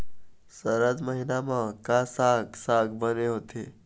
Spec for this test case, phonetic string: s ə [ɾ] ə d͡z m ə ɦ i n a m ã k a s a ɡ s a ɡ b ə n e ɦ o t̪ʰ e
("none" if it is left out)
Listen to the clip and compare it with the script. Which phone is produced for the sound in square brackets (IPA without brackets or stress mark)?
ɾ